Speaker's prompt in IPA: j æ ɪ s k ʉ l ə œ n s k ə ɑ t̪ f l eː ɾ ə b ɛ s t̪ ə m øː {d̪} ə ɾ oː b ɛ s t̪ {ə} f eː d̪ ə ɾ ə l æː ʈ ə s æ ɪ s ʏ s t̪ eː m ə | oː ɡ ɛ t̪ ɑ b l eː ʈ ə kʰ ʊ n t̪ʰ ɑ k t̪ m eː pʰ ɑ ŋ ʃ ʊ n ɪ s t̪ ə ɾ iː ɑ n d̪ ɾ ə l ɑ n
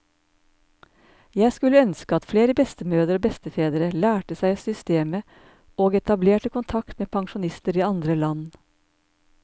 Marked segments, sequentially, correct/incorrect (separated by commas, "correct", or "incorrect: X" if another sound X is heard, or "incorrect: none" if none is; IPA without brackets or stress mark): correct, correct